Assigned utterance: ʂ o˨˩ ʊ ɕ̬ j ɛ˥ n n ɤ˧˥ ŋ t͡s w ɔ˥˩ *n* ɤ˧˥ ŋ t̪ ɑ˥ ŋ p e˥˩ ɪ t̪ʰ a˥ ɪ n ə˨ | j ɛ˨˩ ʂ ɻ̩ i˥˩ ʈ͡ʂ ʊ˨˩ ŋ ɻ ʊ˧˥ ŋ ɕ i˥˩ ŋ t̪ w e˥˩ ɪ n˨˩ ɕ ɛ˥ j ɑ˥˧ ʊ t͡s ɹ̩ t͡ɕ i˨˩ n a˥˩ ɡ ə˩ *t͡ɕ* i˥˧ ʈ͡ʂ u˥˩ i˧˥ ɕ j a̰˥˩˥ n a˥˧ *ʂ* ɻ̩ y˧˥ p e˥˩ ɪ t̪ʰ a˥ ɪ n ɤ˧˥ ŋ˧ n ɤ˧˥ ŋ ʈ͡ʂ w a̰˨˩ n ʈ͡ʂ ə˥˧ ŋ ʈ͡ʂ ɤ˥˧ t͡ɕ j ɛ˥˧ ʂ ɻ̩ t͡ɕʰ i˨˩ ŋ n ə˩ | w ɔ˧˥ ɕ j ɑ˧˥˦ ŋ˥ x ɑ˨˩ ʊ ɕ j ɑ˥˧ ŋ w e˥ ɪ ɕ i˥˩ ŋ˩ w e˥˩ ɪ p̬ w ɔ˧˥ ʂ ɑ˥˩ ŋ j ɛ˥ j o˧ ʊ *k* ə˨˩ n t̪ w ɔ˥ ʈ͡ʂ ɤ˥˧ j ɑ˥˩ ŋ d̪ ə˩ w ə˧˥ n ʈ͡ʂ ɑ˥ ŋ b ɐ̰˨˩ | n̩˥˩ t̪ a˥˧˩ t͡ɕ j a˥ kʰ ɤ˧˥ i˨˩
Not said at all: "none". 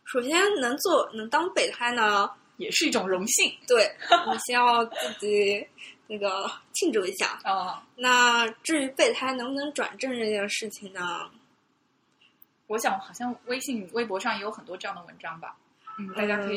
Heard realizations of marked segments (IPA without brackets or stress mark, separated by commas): n, t͡ɕʰ, ʈ͡ʂ, x